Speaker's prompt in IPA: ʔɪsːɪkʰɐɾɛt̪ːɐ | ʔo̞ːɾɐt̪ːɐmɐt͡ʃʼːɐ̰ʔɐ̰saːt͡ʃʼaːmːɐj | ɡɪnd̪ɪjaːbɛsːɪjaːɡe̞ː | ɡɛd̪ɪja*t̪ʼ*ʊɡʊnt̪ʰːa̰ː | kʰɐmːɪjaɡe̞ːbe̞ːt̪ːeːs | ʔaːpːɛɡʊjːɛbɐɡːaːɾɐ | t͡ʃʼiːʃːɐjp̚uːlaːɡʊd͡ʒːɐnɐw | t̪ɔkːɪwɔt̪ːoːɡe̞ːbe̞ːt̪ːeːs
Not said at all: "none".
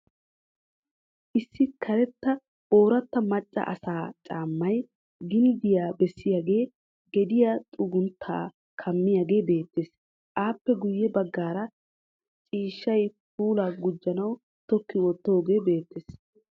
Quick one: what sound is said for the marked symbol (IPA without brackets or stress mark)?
t̪ʼ